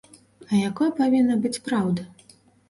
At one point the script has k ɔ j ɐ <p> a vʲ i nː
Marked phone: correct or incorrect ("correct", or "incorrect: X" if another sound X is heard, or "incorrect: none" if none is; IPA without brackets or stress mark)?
correct